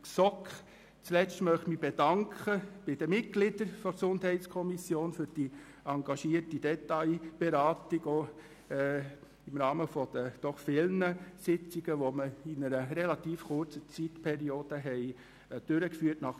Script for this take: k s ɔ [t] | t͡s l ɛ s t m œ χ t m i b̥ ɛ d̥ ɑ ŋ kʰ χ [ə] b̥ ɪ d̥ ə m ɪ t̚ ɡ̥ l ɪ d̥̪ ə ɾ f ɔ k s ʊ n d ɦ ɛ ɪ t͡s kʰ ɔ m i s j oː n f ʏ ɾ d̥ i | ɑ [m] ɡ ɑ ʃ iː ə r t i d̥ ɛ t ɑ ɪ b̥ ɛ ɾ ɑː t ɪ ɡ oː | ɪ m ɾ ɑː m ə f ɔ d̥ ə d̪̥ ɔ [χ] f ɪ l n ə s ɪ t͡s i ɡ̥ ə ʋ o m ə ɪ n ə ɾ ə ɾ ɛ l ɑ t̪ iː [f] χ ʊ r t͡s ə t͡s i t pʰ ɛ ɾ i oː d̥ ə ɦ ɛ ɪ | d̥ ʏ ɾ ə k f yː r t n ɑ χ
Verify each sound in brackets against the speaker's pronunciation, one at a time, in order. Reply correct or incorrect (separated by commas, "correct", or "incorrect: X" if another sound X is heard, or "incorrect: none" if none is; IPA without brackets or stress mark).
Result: incorrect: k, correct, incorrect: ŋ, correct, correct